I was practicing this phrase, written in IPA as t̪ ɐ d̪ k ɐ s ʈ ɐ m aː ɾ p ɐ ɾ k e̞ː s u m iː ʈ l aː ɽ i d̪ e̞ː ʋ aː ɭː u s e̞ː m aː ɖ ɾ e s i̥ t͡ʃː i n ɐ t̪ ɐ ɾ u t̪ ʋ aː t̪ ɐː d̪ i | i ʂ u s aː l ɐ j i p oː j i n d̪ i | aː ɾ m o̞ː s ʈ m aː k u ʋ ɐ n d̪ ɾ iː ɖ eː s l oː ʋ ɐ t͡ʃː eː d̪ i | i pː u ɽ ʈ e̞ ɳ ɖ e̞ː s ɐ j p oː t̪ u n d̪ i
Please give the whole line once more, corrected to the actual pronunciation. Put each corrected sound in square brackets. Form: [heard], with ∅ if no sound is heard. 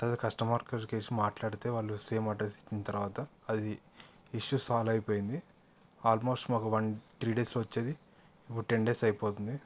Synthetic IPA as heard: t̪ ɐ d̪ k ɐ s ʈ ɐ m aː ɾ [k] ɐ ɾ k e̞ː s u m [aː] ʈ l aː ɽ i [t̪] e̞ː ʋ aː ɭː u s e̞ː m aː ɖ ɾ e s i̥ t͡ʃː i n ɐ t̪ ɐ ɾ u [∅] ʋ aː t̪ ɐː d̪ i | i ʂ u s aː l ɐ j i p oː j i n d̪ i | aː [l] m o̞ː s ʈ m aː k u ʋ ɐ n [t̪] ɾ iː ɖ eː s l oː ʋ ɐ t͡ʃː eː d̪ i | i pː u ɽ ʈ e̞ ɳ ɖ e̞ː s ɐ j p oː t̪ u n d̪ i

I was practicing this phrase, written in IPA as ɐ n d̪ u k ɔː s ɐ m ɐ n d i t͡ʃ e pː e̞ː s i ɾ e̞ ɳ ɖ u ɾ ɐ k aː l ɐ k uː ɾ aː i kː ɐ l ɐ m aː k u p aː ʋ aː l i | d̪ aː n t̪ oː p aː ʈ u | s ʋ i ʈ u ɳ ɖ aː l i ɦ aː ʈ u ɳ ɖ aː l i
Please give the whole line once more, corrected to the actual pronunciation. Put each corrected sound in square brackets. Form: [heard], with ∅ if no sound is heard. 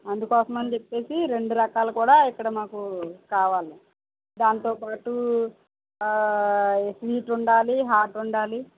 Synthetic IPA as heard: ɐ n d̪ u k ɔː s ɐ m ɐ n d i t͡ʃ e pː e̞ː s i ɾ e̞ ɳ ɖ u ɾ ɐ k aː l ɐ k uː [ɽ] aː i kː ɐ [ɽ] ɐ m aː k u [k] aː ʋ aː l i | d̪ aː n t̪ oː p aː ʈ u | s ʋ [iː] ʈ u ɳ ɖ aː l i ɦ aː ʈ u ɳ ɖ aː l i

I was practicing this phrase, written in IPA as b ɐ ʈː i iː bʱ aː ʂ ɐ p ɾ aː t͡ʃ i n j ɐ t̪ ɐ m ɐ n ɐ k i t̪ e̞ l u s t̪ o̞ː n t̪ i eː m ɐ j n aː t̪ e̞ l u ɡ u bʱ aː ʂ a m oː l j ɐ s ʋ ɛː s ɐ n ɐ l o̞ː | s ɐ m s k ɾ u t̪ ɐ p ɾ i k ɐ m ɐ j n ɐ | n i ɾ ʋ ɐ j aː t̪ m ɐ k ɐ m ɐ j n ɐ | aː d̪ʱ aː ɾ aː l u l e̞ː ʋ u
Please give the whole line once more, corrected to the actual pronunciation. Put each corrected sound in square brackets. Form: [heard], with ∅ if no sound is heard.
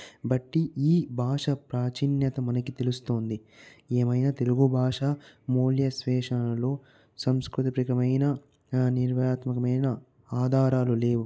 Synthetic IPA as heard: b ɐ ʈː i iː bʱ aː ʂ ɐ p ɾ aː t͡ʃ i n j ɐ t̪ ɐ m ɐ n ɐ k i t̪ e̞ l u s t̪ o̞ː n [d̪] i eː m ɐ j n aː t̪ e̞ l u ɡ u bʱ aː ʂ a m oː l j ɐ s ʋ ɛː [ʂ] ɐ n ɐ l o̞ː | s ɐ m s k ɾ u t̪ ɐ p ɾ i k ɐ m ɐ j n ɐ | n i ɾ ʋ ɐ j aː t̪ m ɐ k ɐ m ɐ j n ɐ | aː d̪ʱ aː ɾ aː l u l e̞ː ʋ u

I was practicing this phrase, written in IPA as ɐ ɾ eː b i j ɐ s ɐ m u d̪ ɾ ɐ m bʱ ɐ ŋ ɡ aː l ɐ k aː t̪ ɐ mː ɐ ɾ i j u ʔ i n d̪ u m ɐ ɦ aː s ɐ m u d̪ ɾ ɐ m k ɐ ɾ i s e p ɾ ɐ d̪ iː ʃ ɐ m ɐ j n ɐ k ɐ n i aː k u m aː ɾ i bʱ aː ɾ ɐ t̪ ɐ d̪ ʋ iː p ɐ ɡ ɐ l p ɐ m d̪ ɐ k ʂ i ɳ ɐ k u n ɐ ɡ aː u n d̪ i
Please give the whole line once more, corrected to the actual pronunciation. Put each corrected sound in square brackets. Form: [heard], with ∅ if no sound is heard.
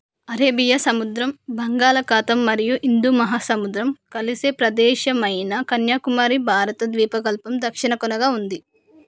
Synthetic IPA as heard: ɐ ɾ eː b i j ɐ s ɐ m u d̪ ɾ ɐ m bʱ ɐ ŋ ɡ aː l ɐ k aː t̪ ɐ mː ɐ ɾ i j u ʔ i n d̪ u m ɐ ɦ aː s ɐ m u d̪ ɾ ɐ m k ɐ [l] i s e p ɾ ɐ d̪ [ɛː] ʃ ɐ m ɐ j n ɐ k ɐ n [j] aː k u m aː ɾ i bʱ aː ɾ ɐ t̪ ɐ d̪ ʋ iː p ɐ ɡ ɐ l p ɐ m d̪ ɐ k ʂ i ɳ ɐ k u n ɐ ɡ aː u n d̪ i

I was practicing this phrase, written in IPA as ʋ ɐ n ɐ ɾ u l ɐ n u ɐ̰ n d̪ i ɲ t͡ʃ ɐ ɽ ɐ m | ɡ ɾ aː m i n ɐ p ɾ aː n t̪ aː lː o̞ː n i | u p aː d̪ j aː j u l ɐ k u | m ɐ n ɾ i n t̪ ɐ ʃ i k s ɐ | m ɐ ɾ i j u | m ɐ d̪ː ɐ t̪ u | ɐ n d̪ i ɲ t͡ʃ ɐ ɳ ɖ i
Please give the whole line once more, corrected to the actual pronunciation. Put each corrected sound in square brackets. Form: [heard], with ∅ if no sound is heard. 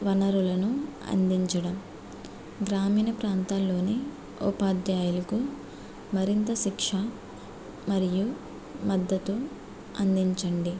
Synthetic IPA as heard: ʋ ɐ n ɐ ɾ u l ɐ n u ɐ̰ n d̪ i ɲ t͡ʃ ɐ ɽ ɐ m | ɡ ɾ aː m [iː] n ɐ p ɾ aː n t̪ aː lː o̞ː n i | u p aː d̪ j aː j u l ɐ k u | m ɐ [∅] ɾ i n t̪ ɐ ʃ i k [ʂ] ɐ | m ɐ ɾ i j u | m ɐ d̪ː ɐ t̪ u | ɐ n d̪ i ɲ t͡ʃ ɐ ɳ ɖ i

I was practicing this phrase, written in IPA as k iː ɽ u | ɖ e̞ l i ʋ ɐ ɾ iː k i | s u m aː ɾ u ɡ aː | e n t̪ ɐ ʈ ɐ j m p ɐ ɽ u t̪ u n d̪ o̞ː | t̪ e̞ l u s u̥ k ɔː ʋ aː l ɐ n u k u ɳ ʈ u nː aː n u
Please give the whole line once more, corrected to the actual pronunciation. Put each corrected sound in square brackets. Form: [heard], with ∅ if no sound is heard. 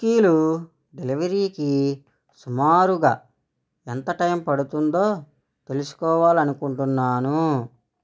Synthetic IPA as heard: k iː [l] u | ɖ e̞ l i ʋ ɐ ɾ iː k i | s u m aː ɾ u ɡ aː | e n t̪ ɐ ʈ ɐ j m p ɐ ɽ u t̪ u n d̪ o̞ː | t̪ e̞ l u s u̥ k ɔː ʋ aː l ɐ n u k u ɳ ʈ u nː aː n u

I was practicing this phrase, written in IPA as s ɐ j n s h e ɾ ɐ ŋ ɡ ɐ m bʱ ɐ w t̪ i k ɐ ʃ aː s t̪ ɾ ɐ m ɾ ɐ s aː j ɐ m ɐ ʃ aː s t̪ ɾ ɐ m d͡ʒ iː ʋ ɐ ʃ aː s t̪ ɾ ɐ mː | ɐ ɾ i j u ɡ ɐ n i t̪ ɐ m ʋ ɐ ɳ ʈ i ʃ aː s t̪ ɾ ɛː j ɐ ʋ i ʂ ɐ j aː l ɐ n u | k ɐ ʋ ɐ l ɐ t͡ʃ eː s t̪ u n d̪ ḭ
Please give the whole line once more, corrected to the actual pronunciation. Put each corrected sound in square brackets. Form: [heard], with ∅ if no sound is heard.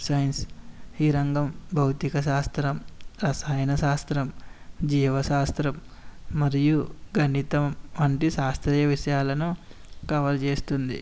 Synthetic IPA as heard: s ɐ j n s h [i] ɾ ɐ ŋ ɡ ɐ m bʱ ɐ w t̪ i k ɐ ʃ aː s t̪ ɾ ɐ m ɾ ɐ s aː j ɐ [n] ɐ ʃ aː s t̪ ɾ ɐ m d͡ʒ iː ʋ ɐ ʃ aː s t̪ ɾ ɐ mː | ɐ ɾ i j u ɡ ɐ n i t̪ ɐ m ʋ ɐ ɳ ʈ i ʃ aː s t̪ ɾ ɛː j ɐ ʋ i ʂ ɐ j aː l ɐ n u | k ɐ ʋ ɐ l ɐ t͡ʃ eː s t̪ u n d̪ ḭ

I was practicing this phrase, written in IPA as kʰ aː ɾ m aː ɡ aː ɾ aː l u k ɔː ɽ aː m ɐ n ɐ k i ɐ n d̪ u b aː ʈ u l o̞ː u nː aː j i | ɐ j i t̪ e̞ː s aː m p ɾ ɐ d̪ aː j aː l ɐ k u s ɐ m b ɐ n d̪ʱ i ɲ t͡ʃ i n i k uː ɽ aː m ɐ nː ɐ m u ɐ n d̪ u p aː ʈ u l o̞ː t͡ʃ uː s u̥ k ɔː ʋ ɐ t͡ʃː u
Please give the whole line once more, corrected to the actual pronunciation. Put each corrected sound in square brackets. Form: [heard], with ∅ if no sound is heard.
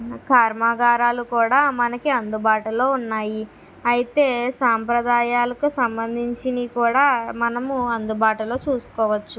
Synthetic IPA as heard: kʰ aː ɾ m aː ɡ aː ɾ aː l u k [uː] ɽ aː m ɐ n ɐ k i ɐ n d̪ u b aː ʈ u l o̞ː u nː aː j i | ɐ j i t̪ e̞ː s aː m p ɾ ɐ d̪ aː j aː l ɐ k u s ɐ m b ɐ n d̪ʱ i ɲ t͡ʃ i n i k uː ɽ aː m ɐ [n] ɐ m u ɐ n d̪ u [b] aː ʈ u l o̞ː t͡ʃ uː s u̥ k ɔː ʋ ɐ t͡ʃː u

